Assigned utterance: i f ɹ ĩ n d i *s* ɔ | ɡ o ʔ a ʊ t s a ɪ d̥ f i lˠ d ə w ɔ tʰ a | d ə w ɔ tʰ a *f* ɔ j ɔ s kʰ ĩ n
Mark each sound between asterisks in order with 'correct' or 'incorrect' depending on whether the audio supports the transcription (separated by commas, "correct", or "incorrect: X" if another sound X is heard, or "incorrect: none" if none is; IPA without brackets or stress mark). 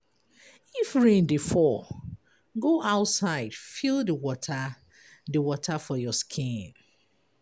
incorrect: f, correct